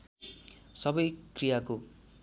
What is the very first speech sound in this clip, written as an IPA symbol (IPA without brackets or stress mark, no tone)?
s